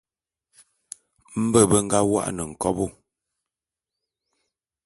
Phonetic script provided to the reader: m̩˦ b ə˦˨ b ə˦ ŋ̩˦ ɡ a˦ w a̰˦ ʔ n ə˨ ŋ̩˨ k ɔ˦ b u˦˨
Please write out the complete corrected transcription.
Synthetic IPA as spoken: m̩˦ b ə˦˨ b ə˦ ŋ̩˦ ɡ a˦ w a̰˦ ʔ n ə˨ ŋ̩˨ k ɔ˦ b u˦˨

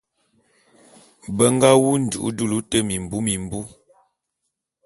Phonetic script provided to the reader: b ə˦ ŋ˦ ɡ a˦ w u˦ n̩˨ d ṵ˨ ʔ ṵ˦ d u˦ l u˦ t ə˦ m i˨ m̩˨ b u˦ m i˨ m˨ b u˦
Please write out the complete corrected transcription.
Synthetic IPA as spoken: b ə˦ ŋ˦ ɡ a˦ w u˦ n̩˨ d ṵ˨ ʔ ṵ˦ d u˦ l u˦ t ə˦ m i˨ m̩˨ b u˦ m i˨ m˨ b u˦

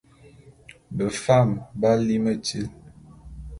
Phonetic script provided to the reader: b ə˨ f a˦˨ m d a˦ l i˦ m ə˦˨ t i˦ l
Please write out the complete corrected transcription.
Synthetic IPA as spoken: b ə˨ f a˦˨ m b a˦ l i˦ m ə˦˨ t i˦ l

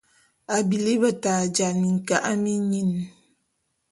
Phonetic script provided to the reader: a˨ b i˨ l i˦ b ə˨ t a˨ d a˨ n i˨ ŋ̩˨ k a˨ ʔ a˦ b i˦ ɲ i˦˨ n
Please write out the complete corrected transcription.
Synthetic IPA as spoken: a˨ b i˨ l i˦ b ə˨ t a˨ d͡ʒ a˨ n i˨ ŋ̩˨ k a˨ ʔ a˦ m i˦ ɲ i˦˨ n

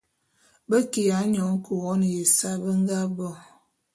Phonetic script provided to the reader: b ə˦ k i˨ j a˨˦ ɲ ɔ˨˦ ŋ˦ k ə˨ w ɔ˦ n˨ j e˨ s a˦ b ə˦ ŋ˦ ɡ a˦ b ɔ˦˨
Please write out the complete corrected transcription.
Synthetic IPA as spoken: b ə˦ k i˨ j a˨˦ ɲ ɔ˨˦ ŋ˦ k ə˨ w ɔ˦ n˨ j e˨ s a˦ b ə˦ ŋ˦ ɡ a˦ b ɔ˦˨

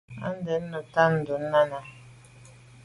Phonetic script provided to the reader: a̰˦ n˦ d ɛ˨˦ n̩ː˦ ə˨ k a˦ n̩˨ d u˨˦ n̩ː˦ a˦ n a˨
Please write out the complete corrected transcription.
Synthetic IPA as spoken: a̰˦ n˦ d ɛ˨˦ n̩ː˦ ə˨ t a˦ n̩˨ d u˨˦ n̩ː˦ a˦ n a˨

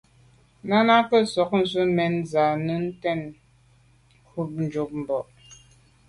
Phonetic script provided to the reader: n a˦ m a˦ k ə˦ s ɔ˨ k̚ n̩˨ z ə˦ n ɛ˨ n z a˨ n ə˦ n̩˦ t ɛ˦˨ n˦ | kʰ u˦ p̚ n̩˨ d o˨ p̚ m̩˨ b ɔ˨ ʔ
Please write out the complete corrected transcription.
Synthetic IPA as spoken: n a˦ n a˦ k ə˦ s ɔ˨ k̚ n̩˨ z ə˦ m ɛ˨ n z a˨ n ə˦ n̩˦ t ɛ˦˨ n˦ | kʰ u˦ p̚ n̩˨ d͡ʒ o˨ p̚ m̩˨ b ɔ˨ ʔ

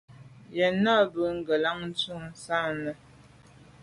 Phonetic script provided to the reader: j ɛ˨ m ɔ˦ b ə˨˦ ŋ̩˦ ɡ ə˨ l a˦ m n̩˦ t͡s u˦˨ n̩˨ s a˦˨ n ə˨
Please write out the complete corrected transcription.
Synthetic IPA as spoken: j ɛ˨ n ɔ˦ b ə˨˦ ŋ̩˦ ɡ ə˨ l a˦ ŋ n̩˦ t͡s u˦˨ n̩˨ s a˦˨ n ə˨

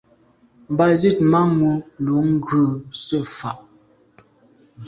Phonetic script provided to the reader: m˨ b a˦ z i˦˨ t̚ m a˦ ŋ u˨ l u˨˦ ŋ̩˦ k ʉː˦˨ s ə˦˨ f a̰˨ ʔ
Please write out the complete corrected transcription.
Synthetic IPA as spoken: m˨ b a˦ z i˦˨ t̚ m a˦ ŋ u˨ l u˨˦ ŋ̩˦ ɡ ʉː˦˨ s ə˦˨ f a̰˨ ʔ

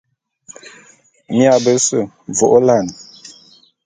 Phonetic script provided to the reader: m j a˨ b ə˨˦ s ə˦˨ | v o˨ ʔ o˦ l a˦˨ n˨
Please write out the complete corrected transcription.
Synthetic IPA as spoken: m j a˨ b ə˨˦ s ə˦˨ | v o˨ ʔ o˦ l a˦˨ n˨

